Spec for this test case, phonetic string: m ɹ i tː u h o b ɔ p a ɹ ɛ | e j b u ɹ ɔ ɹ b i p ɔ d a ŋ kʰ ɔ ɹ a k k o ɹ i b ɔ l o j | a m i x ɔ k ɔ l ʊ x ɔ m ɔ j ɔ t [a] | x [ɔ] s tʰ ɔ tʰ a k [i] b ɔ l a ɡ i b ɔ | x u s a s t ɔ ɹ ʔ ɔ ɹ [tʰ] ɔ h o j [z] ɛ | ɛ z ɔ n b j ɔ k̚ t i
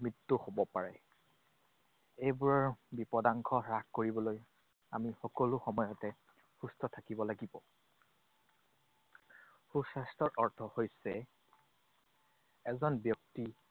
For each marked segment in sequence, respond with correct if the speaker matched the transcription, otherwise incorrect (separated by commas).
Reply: incorrect, incorrect, correct, correct, incorrect